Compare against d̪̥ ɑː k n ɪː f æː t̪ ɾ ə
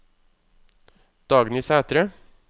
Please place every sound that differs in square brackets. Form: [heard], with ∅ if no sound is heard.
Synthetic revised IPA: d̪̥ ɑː [ɡ] n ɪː [s] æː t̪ ɾ ə

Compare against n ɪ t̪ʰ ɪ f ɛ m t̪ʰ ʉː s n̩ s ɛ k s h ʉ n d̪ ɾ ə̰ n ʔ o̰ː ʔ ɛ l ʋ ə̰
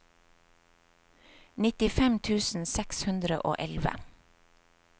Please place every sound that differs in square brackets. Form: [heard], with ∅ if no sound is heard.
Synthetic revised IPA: n ɪ [t̪] ɪ f ɛ m t̪ʰ ʉː s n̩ s ɛ k s h ʉ n d̪ ɾ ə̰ [∅] ʔ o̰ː ʔ ɛ l ʋ ə̰

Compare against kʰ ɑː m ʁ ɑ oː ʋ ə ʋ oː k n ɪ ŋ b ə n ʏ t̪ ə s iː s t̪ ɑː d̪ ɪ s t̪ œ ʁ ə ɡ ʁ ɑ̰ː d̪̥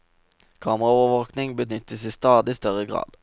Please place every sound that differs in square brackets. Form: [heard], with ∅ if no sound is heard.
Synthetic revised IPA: kʰ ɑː m ʁ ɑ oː ʋ ə ʋ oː k n ɪ ŋ b ə n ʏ t̪ ə s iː s t̪ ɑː d̪ ɪ s t̪ œ ʁ ə ɡ ʁ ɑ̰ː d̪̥

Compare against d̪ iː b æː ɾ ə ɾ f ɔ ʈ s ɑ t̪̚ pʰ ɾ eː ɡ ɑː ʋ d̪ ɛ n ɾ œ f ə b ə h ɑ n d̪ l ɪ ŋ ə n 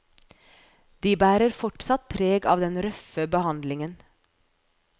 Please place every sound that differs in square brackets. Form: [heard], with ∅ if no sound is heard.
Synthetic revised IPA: d̪ iː b æː ɾ ə ɾ f ɔ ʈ s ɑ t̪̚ pʰ ɾ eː ɡ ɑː ʋ d̪ ɛ n ɾ œ f ə b ə h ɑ n d̪ l ɪ ŋ ə n

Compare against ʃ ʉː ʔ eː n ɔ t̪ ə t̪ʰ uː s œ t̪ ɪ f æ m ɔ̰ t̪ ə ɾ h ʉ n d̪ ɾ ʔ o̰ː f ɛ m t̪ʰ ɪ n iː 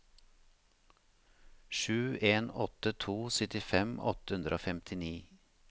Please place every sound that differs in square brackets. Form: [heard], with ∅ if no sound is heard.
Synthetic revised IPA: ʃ ʉː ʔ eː n ɔ t̪ ə t̪ʰ uː s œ t̪ ɪ f [ɛ] m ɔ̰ t̪ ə [∅] h ʉ n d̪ ɾ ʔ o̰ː f ɛ m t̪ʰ ɪ n iː

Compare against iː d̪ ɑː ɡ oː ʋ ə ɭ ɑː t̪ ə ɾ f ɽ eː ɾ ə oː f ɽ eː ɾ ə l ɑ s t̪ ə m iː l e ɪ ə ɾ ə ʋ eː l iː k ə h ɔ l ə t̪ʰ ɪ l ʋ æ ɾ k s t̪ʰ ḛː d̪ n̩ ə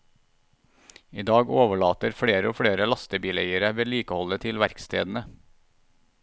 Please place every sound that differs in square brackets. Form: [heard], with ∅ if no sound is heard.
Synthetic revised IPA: iː d̪ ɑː ɡ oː ʋ ə ɭ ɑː t̪ ə ɾ f ɽ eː ɾ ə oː f ɽ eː ɾ ə l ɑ s t̪ ə [b] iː l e ɪ ə ɾ ə ʋ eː l iː k ə h ɔ l ə t̪ʰ ɪ l ʋ æ ɾ k s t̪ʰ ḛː d̪ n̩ ə

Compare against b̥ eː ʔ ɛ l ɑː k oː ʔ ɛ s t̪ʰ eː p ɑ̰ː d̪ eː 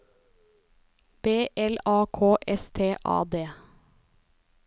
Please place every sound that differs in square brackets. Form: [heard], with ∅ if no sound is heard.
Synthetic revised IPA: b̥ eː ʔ ɛ l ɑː [kʰ] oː ʔ ɛ s t̪ʰ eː [ʔ] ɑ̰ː d̪ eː

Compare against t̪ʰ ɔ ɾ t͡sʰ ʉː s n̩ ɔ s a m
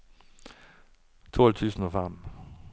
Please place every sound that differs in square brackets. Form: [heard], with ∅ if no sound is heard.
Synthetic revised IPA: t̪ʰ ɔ [l] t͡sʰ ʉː s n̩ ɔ [f] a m

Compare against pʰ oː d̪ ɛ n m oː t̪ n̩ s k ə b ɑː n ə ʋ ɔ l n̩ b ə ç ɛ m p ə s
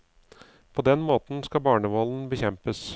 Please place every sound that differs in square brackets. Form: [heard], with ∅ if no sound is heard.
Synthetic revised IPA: pʰ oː d̪ ɛ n m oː t̪ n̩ s k [ɑ] b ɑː [ɳ] ə ʋ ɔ l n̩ b ə ç ɛ m p ə s

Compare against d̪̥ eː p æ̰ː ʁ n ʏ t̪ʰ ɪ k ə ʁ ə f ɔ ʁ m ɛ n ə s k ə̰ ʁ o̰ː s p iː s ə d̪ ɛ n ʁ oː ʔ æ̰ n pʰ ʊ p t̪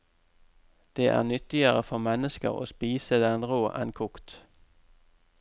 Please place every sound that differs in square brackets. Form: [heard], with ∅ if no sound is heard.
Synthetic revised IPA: d̪̥ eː [ʔ] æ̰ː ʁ n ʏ [t̪] ɪ [∅] ə ʁ ə f ɔ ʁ m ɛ n ə s k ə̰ ʁ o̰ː s p iː s ə d̪ ɛ n ʁ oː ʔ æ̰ n [kʰ] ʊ [k] t̪

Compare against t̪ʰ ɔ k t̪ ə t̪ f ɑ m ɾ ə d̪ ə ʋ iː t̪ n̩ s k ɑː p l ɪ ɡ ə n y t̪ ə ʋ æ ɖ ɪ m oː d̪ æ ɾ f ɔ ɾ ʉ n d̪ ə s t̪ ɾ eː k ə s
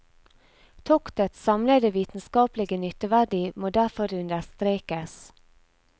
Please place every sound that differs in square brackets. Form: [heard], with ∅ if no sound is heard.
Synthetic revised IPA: t̪ʰ ɔ k t̪ ə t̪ [s] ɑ m [l] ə d̪ ə ʋ iː t̪ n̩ s k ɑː p l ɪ ɡ ə n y t̪ ə ʋ æ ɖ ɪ m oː d̪ æ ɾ f ɔ ɾ ʉ n d̪ ə s t̪ ɾ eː k ə s

